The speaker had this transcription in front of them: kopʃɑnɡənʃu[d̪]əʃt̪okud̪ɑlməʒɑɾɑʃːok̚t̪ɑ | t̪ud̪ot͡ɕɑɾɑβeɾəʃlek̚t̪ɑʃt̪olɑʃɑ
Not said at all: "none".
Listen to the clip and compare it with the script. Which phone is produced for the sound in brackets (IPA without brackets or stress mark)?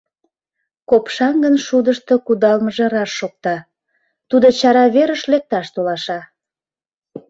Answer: d̪